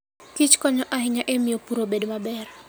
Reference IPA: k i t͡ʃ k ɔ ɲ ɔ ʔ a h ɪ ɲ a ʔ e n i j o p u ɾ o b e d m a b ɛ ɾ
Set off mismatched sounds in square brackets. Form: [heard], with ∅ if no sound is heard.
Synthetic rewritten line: k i t͡ʃ k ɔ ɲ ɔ ʔ a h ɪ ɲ a ʔ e [m] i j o p u ɾ o b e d m a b ɛ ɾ

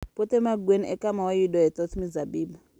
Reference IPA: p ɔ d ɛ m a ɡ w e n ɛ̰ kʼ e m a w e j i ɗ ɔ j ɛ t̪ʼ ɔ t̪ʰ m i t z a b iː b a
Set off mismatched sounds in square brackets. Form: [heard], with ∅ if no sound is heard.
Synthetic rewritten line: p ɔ [t] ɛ m a ɡ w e n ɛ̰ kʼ [a] m a w [a] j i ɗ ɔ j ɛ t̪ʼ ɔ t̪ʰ m i [∅] z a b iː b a

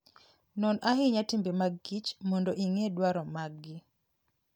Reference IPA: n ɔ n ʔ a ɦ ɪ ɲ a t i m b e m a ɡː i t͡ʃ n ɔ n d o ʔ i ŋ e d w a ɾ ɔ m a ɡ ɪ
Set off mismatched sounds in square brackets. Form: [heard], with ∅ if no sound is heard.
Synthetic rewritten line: n ɔ n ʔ a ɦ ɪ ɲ a t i m b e m a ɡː i t͡ʃ [m] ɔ n d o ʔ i ŋ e d w a ɾ ɔ m a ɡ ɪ

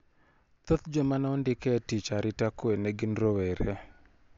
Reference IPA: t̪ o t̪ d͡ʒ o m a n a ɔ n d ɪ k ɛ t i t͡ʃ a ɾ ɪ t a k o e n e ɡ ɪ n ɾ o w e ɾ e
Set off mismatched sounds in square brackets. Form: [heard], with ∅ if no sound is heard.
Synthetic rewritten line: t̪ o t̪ d͡ʒ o m a n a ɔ n d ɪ k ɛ t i t͡ʃ a ɾ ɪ t a k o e n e ɡ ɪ n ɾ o w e ɾ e

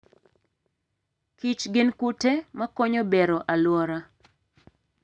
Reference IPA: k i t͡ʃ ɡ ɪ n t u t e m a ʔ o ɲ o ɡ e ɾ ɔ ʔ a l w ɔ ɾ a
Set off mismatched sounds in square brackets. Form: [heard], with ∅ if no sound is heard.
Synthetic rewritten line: k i t͡ʃ ɡ ɪ n [k] u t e m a [k] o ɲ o [b] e ɾ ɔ ʔ a l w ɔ ɾ a

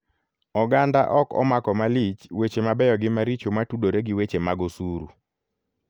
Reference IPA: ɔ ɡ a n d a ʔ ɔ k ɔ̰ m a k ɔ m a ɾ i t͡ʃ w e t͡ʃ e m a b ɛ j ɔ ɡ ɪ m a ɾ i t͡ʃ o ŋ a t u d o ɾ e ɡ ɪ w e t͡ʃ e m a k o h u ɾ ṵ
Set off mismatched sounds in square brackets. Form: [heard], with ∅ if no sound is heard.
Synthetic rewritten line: ɔ ɡ a n d a ʔ ɔ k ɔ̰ m a k ɔ m a [l] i t͡ʃ w e t͡ʃ e m a b ɛ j ɔ ɡ ɪ m a ɾ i t͡ʃ o [m] a t u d o ɾ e ɡ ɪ w e t͡ʃ e m a [ɡ] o [s] u ɾ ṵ

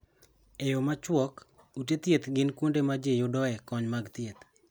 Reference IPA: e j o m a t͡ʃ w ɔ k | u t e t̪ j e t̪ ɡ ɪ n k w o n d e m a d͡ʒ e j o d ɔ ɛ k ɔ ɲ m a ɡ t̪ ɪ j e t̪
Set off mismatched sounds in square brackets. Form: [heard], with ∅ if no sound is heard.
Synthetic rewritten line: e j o m a t͡ʃ w ɔ k | u t e t̪ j e t̪ ɡ ɪ n k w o n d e m a d͡ʒ e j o d ɔ ɛ k ɔ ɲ m a ɡ t̪ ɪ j e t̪

